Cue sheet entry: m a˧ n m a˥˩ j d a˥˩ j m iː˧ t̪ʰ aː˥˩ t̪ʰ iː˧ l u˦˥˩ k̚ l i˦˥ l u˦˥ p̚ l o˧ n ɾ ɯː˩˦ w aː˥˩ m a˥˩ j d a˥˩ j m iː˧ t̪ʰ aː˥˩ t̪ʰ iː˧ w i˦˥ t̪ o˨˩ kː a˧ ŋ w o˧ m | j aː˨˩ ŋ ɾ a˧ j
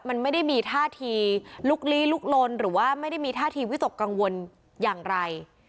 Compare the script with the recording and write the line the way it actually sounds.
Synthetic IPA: m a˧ n m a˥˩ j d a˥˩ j m iː˧ t̪ʰ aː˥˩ t̪ʰ iː˧ l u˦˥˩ k̚ l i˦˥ l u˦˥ k̚ l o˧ n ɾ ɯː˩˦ w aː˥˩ m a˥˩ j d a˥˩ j m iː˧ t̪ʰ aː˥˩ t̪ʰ iː˧ w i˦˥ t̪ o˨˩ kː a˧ ŋ w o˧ n | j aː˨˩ ŋ ɾ a˧ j